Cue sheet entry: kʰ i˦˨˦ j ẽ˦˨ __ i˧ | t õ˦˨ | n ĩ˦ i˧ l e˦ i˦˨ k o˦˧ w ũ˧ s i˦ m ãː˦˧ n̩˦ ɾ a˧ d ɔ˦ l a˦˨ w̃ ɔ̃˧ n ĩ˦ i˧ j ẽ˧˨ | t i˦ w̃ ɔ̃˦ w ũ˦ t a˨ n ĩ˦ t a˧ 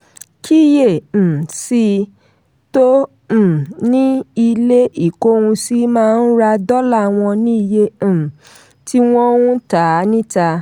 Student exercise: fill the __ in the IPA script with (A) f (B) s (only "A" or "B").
B